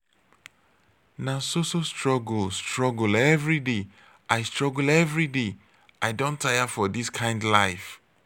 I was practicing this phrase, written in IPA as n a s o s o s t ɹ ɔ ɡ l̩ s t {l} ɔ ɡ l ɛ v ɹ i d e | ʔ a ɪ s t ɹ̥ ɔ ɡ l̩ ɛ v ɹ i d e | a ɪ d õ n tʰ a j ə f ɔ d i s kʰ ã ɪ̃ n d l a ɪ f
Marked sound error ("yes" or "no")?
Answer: yes